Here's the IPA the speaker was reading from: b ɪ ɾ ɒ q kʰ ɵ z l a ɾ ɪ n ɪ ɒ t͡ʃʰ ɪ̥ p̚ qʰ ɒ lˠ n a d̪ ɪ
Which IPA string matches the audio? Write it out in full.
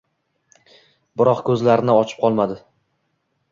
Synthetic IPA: b ɪ ɾ ɒ q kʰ ɵ z l a ɾ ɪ n ɪ ɒ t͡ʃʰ ɪ̥ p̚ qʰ ɒ lˠ m a d̪ ɪ